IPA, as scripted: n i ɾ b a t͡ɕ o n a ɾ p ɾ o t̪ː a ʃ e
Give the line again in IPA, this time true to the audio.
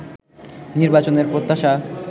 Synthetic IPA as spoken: n i ɾ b a t͡ɕ o n e ɾ p ɾ o t̪ː a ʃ a

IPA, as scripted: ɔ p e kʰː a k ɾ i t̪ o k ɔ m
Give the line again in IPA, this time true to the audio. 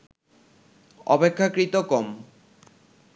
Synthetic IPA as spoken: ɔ p e kʰː a k ɾ i t̪ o k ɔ m

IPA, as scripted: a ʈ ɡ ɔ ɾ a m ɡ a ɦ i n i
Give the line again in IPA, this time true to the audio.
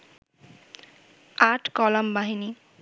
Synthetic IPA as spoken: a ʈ k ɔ l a m b a ɦ i n i

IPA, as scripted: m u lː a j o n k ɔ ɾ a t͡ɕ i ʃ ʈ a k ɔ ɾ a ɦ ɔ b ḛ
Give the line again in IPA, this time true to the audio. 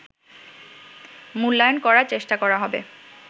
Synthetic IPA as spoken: m u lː a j o n k ɔ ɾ a t͡ɕ e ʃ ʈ a k ɔ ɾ a ɦ ɔ b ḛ

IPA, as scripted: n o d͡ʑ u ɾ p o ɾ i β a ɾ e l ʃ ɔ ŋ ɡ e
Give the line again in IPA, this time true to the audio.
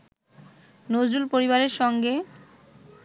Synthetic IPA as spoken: n o d͡ʑ u l p o ɾ i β a ɾ e ɾ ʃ ɔ ŋ ɡ e

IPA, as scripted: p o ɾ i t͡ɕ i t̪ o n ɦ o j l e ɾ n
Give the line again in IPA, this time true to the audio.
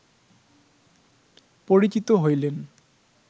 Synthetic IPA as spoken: p o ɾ i t͡ɕ i t̪ o ɦ o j l e n

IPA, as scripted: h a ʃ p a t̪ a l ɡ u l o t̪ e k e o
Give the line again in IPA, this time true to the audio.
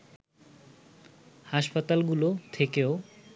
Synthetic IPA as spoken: h a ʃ p a t̪ a l ɡ u l o t̪ʰ e k e o

